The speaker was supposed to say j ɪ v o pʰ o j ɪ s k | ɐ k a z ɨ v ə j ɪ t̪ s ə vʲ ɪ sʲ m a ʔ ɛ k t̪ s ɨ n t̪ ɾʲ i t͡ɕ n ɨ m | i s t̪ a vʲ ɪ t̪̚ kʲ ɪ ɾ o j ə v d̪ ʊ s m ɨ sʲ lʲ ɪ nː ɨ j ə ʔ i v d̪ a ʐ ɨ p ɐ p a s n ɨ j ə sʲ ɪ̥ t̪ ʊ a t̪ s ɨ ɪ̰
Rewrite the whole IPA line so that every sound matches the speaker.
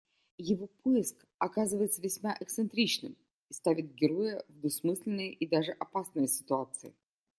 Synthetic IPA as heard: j ɪ v o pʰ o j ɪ s k | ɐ k a z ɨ v ə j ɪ t̪ s ə vʲ ɪ sʲ m a ʔ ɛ k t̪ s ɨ n t̪ ɾʲ i t͡ɕ n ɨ m | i s t̪ a vʲ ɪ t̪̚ ɡʲ ɪ ɾ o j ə v d̪ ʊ s m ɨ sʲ lʲ ɪ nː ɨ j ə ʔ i d̪ a ʐ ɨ ʔ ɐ p a s n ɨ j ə sʲ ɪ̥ t̪ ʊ a t̪ s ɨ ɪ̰